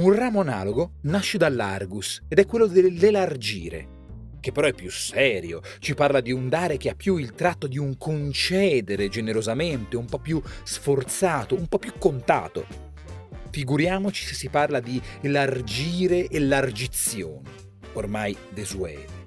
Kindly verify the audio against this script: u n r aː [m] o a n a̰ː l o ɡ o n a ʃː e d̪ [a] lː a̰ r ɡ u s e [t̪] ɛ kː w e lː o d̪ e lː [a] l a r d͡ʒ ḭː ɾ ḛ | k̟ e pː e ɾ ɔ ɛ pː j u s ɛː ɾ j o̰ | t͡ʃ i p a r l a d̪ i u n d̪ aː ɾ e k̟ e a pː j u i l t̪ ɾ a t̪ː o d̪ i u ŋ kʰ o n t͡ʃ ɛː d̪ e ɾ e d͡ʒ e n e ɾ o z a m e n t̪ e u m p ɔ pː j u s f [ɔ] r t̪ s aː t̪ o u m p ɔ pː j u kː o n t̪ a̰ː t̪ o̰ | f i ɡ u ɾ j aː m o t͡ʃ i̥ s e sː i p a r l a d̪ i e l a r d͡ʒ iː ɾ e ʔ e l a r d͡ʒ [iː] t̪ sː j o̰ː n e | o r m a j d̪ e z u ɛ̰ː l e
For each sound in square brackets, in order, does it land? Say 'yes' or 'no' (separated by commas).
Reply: yes, yes, no, no, no, no